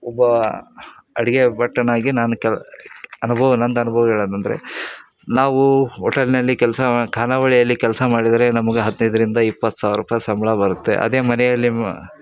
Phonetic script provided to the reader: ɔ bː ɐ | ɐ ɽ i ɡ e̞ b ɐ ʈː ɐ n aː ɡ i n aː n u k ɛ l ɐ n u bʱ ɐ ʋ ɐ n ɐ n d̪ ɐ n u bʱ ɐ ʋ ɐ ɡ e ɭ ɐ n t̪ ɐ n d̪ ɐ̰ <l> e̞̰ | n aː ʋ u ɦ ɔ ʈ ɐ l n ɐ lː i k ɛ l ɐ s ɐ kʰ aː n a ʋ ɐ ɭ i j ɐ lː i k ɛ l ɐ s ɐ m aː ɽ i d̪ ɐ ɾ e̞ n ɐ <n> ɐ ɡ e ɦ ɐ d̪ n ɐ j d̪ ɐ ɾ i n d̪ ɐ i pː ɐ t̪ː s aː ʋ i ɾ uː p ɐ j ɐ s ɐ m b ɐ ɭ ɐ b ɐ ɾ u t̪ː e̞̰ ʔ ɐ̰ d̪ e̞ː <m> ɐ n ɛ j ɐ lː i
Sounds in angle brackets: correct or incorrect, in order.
incorrect, incorrect, correct

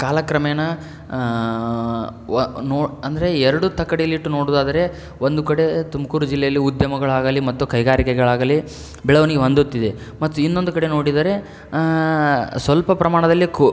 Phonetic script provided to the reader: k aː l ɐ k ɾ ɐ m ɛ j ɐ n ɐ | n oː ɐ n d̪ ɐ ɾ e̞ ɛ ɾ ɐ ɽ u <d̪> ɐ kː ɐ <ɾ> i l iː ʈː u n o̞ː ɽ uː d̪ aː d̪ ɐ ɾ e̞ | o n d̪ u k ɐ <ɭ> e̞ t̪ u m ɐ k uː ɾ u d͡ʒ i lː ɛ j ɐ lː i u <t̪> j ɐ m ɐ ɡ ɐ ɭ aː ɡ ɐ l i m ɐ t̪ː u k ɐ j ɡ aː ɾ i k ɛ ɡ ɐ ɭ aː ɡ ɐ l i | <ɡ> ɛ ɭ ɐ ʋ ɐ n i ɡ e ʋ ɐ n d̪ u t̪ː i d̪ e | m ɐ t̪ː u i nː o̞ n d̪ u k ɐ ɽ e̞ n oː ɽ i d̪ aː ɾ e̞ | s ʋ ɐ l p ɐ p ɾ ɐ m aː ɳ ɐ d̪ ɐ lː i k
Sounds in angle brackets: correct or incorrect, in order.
incorrect, incorrect, incorrect, incorrect, incorrect

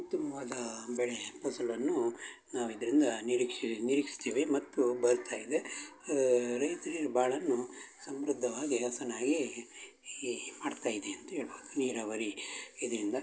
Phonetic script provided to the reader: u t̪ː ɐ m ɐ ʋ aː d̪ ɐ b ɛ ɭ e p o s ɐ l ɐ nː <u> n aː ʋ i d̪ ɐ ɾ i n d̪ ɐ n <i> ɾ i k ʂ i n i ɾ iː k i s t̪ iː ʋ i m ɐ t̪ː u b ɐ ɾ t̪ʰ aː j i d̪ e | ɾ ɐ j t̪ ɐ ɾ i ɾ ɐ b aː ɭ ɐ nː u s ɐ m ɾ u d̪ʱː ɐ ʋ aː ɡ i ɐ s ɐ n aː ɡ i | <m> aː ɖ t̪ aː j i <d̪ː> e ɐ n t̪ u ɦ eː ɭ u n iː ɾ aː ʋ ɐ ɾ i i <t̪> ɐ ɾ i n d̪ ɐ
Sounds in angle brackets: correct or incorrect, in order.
correct, correct, correct, incorrect, incorrect

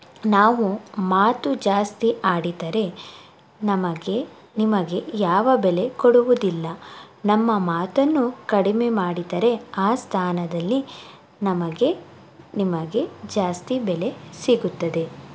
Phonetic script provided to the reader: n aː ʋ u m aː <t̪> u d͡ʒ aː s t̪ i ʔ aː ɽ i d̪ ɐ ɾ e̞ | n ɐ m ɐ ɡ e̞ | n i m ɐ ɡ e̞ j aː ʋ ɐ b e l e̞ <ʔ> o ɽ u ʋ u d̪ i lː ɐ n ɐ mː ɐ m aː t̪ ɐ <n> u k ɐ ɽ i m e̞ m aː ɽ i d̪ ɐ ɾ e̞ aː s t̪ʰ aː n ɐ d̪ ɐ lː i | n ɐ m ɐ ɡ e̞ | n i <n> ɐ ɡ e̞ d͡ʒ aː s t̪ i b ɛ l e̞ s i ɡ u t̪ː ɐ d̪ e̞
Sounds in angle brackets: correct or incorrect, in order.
correct, incorrect, incorrect, incorrect

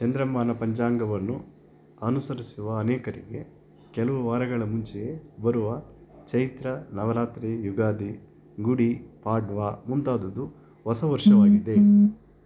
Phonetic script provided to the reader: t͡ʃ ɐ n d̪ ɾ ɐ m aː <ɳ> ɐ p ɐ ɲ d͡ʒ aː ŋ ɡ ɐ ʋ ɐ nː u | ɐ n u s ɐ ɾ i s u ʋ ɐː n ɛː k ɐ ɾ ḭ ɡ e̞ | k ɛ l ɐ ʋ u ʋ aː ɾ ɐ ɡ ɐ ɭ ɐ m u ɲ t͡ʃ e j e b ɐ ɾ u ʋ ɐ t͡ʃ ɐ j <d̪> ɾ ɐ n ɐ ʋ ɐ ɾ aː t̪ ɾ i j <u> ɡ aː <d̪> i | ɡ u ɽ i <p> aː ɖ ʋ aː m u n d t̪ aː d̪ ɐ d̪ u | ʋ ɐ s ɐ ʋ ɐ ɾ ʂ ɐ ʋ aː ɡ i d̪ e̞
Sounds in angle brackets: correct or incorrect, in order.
incorrect, incorrect, correct, correct, correct

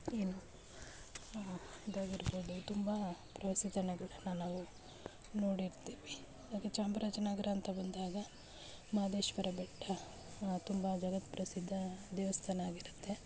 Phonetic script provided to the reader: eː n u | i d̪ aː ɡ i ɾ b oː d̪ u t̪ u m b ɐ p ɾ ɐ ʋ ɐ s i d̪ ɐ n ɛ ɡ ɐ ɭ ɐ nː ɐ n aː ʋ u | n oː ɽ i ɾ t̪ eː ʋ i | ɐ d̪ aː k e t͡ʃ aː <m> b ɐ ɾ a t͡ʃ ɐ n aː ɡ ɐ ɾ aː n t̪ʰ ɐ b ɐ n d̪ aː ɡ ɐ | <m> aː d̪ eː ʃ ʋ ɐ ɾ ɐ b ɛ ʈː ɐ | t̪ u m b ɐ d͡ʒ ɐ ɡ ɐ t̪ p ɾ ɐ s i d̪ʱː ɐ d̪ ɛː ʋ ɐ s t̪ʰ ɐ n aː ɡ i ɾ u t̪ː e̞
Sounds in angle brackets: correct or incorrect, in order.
correct, correct

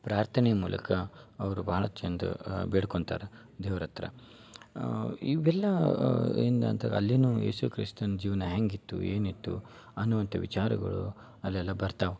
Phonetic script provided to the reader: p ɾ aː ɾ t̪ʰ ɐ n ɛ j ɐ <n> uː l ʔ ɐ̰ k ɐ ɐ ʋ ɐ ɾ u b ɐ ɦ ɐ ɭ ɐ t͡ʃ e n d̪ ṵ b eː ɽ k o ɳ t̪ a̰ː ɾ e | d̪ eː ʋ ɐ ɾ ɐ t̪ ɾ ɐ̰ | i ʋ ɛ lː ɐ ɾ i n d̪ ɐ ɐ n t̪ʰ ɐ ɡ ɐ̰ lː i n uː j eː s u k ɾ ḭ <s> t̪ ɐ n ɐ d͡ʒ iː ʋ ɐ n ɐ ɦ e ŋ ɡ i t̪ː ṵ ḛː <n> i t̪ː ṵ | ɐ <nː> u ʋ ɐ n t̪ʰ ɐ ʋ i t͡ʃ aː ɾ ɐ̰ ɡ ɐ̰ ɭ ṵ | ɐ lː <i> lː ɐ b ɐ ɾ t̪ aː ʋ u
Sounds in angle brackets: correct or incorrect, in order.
incorrect, correct, correct, correct, incorrect

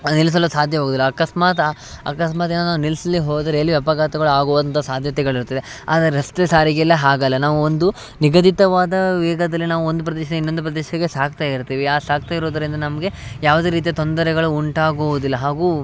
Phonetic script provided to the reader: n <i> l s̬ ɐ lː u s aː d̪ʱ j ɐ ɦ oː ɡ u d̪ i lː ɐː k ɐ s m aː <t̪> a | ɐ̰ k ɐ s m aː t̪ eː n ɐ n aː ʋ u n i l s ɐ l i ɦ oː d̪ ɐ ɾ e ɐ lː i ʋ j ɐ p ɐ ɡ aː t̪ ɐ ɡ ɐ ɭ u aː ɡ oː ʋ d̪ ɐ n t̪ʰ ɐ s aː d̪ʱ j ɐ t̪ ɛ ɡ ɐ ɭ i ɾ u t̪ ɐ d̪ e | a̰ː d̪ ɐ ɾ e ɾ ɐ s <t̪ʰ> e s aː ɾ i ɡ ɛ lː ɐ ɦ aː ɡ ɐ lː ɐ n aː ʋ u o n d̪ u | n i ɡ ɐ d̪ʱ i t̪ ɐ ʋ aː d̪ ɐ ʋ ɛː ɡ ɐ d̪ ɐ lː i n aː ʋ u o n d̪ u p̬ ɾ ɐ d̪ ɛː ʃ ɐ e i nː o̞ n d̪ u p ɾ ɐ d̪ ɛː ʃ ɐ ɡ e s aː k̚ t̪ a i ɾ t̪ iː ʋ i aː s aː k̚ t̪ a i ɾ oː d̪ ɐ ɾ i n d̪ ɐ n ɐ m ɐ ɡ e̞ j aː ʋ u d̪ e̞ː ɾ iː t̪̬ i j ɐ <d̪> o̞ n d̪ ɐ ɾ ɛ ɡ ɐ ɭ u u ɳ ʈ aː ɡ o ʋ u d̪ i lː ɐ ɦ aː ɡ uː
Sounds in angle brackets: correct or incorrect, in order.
correct, correct, incorrect, incorrect

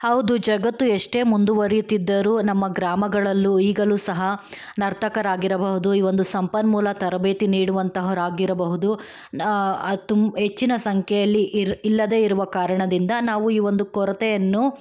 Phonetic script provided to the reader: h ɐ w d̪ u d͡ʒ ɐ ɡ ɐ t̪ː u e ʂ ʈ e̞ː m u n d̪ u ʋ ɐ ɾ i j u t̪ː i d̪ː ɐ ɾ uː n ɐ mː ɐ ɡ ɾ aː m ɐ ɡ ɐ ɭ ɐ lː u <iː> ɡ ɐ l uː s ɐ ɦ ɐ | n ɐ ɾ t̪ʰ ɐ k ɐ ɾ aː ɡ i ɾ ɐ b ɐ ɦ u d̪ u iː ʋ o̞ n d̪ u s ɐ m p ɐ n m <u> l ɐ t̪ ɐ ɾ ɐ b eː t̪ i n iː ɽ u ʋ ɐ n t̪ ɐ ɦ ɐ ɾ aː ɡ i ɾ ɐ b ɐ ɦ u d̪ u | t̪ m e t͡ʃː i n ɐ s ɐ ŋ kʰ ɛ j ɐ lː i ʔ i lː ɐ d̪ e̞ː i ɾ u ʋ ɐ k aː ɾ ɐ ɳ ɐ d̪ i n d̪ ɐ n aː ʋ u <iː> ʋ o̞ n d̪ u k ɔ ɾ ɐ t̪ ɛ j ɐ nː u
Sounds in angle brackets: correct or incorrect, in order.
correct, incorrect, correct

